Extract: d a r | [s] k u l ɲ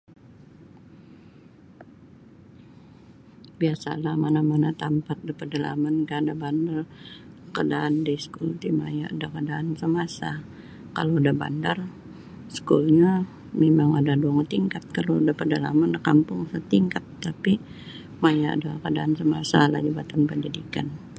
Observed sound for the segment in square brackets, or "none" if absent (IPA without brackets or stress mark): s